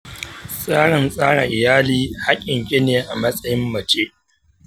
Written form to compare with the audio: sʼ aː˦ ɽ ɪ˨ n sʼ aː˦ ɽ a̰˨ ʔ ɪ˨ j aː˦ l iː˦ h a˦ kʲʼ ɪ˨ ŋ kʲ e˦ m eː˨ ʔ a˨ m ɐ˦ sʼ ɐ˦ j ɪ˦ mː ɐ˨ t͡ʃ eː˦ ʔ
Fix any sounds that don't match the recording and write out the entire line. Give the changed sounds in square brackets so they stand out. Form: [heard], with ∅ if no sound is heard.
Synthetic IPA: sʼ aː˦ ɽ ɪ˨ n sʼ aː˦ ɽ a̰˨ ʔ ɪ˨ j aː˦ l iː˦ h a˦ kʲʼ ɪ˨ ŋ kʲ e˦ [n] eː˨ ʔ a˨ m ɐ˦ sʼ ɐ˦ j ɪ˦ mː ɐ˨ t͡ʃ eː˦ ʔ